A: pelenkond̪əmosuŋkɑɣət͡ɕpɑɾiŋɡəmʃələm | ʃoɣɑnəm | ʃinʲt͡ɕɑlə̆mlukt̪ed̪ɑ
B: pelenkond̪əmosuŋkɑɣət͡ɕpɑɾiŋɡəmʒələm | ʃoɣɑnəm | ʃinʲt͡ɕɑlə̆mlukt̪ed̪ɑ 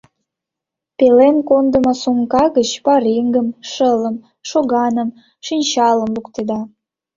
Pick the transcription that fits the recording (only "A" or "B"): A